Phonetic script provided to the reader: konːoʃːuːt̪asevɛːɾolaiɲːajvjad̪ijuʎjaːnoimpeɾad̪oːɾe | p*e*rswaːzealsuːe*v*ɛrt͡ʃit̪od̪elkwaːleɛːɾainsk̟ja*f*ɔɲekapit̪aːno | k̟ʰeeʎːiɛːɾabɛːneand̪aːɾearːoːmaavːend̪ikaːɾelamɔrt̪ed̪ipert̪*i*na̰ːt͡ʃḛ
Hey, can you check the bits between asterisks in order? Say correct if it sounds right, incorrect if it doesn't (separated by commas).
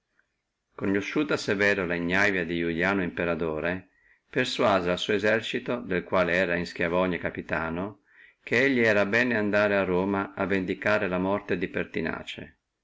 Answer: correct, incorrect, incorrect, correct